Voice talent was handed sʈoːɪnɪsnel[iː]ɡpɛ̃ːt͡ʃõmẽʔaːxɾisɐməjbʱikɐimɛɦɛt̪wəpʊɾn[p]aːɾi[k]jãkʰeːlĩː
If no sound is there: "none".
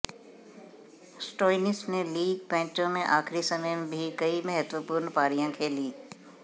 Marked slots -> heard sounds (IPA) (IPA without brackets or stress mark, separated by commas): iː, p, none